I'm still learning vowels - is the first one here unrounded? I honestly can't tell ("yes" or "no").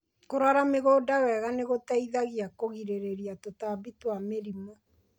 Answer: no